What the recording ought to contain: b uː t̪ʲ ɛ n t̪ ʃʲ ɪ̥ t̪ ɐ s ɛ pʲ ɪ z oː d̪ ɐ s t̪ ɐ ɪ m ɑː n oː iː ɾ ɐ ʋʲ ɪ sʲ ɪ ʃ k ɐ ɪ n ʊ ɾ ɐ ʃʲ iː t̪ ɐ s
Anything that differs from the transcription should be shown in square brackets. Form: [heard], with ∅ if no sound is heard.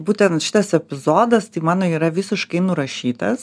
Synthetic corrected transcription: b uː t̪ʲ ɛ n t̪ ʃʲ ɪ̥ t̪ ɐ s ɛ pʲ ɪ z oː d̪ ɐ s t̪ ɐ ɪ m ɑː n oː iː ɾ ɐ ʋʲ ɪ sʲ ɪ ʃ k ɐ ɪ n ʊ ɾ ɐ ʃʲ iː t̪ ɐ s